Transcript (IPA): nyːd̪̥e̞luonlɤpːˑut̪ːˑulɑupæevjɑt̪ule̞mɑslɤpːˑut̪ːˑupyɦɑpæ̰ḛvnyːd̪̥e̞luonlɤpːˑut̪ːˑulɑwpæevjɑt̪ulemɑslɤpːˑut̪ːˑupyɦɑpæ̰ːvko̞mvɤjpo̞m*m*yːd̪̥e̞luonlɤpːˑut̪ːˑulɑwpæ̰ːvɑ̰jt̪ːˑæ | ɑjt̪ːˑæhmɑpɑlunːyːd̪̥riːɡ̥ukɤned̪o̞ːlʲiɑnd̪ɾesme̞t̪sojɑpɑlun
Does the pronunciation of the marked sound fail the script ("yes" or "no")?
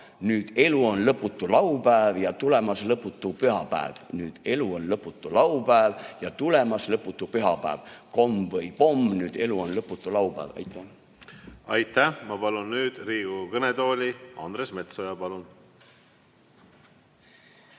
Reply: yes